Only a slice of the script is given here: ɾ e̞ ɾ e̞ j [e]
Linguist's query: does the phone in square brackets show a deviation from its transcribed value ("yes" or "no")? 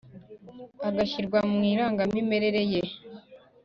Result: no